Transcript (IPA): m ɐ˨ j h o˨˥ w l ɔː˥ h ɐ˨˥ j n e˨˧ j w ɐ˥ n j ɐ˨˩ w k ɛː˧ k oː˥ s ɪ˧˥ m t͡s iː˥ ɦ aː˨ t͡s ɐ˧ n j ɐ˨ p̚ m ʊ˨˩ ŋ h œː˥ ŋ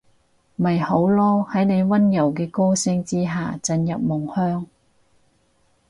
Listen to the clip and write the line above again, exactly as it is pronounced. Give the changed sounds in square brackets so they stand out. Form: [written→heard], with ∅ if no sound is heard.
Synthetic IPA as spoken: m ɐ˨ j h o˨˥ w l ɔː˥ h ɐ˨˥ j n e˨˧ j w ɐ˥ n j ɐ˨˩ w k ɛː˧ k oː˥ s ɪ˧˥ [m→ŋ] t͡s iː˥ ɦ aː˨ t͡s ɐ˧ n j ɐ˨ p̚ m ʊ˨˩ ŋ h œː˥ ŋ